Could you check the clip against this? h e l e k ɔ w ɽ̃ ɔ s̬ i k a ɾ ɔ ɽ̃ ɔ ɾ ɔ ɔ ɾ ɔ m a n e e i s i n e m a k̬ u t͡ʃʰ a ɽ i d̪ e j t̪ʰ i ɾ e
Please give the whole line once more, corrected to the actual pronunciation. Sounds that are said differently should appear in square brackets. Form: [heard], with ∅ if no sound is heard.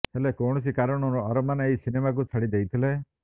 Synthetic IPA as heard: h e l e k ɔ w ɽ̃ ɔ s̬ i k a ɾ ɔ ɽ̃ ɔ ɾ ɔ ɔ ɾ ɔ m a n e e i s i n e m a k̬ u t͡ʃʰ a ɽ i d̪ e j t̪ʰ i [l] e